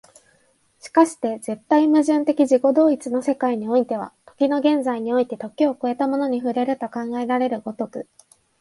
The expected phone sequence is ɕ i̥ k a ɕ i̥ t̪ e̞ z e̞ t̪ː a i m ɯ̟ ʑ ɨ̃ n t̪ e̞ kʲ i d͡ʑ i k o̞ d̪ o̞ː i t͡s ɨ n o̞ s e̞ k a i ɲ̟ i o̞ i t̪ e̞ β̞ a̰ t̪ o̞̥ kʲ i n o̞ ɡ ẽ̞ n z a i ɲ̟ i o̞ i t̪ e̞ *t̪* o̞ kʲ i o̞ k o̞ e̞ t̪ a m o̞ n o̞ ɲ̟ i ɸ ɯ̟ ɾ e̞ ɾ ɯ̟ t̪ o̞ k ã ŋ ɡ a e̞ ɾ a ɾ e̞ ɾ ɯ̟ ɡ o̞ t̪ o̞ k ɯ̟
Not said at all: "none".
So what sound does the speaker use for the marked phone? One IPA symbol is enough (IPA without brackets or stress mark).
t̪